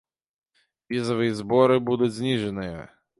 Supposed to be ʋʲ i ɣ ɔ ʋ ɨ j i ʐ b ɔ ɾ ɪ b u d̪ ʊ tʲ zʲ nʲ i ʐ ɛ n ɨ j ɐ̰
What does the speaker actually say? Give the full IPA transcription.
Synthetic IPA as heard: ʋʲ i z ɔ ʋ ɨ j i z b ɔ ɾ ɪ b u d̪ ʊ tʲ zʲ nʲ i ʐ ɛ n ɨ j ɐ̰